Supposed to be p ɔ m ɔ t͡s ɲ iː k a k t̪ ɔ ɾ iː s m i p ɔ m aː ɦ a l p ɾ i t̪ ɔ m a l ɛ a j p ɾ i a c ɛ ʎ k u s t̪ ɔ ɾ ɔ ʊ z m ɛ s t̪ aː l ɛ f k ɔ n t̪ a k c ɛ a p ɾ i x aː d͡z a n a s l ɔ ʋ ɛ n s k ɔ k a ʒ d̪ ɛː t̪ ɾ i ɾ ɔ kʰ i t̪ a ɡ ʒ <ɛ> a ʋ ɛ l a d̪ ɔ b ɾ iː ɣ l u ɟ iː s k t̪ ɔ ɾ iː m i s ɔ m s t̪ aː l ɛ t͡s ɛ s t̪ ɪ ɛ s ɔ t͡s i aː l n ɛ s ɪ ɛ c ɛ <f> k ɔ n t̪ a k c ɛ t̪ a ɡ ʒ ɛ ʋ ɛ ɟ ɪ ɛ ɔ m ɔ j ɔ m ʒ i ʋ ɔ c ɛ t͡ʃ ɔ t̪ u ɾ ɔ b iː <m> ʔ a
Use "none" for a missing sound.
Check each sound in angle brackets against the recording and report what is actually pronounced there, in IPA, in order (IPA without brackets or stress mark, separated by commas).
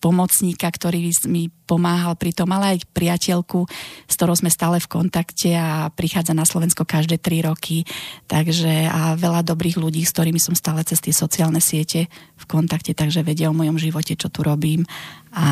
ɛ, f, m